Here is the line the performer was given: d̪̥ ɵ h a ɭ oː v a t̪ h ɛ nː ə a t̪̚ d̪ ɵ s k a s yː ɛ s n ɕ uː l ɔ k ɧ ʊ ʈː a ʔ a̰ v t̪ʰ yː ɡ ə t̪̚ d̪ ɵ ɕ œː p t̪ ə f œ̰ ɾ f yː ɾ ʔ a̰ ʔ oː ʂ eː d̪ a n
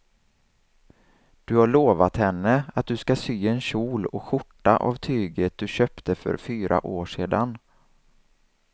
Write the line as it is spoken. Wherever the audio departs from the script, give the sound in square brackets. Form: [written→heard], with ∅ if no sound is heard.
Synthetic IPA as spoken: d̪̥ ɵ h a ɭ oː v a t̪ h ɛ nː ə a t̪̚ d̪ ɵ s k a s yː ɛ [s→∅] n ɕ uː l ɔ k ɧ ʊ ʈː a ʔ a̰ v t̪ʰ yː ɡ ə t̪̚ d̪ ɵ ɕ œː p t̪ ə f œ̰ ɾ f yː ɾ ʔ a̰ ʔ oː ʂ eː d̪ a n